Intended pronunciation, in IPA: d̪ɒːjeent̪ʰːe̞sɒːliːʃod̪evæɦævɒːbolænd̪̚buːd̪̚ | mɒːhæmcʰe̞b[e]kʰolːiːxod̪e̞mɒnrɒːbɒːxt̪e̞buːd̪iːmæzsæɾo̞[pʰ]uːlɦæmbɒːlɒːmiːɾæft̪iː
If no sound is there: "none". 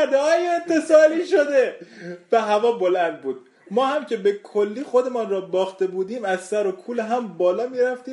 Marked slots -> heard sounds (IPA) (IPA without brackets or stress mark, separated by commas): e, kʰ